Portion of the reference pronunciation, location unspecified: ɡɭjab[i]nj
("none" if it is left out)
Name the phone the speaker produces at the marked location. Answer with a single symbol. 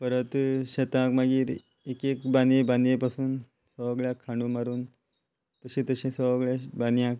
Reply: a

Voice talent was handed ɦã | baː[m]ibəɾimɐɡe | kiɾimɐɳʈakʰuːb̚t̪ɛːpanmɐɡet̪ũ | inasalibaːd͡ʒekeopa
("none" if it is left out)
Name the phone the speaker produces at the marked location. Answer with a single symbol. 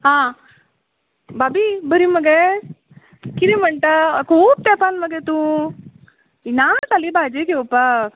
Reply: b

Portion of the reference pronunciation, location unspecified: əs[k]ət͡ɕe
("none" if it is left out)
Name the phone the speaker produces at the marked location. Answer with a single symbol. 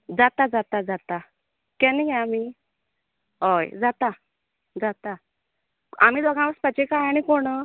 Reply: p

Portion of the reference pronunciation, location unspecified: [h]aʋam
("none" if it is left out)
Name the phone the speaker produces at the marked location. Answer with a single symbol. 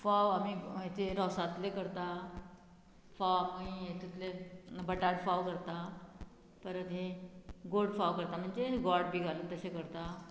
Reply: f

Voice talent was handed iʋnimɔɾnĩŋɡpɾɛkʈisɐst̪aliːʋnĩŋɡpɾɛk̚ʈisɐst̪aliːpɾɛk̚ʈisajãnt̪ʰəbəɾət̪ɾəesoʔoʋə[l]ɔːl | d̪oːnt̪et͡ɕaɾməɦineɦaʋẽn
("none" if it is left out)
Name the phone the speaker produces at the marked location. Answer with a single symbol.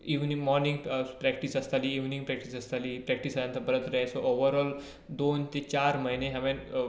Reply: ɾ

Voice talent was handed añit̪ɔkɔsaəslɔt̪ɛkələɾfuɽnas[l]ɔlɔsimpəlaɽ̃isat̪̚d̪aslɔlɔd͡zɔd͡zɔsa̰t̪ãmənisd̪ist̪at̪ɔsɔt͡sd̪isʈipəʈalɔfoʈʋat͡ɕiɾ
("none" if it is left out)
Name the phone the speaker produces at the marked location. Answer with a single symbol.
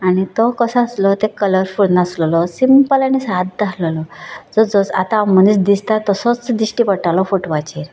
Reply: l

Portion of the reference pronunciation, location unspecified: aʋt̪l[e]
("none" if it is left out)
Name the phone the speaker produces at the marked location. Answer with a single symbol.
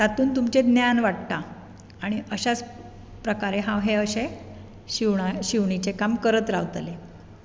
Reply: e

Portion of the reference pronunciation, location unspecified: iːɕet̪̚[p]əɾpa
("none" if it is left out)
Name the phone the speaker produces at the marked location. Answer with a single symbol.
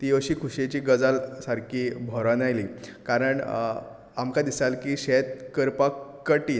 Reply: k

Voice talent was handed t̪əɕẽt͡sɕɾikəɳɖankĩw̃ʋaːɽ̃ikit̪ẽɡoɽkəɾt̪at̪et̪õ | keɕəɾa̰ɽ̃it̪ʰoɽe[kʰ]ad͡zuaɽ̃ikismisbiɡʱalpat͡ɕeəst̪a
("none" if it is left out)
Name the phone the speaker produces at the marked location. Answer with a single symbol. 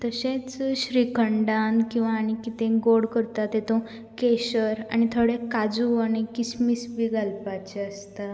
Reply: k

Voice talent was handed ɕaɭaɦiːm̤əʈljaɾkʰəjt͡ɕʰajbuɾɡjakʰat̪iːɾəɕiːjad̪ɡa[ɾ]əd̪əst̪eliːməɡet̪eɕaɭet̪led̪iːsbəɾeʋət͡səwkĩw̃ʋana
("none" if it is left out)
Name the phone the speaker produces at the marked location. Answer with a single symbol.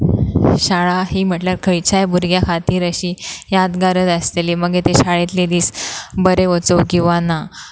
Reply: ɾ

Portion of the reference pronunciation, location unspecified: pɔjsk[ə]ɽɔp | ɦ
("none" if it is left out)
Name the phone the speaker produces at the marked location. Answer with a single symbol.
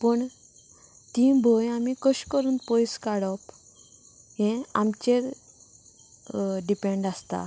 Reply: a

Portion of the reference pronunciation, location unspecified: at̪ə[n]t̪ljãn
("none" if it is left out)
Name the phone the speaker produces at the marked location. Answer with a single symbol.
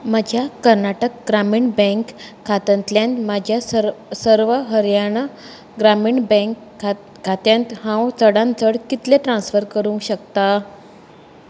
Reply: n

